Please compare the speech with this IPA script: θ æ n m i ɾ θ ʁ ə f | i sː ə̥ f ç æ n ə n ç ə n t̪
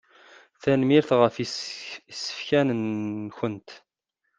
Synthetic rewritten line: θ æ n m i ɾ θ ʁ ə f | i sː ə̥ f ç æ n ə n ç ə n t̪